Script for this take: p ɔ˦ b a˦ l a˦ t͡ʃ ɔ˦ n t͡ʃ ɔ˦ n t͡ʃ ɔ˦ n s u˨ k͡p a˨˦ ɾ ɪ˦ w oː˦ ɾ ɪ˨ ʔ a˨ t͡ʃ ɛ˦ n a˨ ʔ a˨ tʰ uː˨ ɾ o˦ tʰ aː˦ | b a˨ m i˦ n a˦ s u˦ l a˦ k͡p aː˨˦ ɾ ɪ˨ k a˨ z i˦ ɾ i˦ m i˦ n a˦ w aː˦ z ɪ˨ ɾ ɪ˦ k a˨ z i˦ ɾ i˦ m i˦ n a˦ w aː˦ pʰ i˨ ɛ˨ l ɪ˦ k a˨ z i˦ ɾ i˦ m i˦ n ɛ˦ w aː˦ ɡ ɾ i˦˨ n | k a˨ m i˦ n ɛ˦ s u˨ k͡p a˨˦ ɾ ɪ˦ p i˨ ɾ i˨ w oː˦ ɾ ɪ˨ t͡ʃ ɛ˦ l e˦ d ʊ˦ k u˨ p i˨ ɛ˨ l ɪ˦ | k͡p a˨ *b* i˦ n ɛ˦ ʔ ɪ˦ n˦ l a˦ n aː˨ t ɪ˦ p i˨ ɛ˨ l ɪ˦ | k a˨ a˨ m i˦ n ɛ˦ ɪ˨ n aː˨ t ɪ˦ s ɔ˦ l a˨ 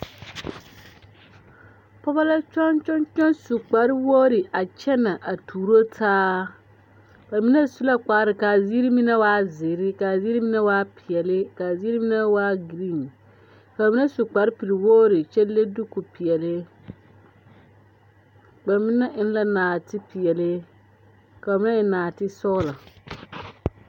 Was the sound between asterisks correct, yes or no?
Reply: no